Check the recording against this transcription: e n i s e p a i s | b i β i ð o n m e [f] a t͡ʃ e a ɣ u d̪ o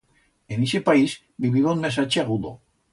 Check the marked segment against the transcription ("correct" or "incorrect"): incorrect